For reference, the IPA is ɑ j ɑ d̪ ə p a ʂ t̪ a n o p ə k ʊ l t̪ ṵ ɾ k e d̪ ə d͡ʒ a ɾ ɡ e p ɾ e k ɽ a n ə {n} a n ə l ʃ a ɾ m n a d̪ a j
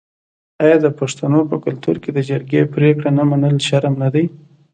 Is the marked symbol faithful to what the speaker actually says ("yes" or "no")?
no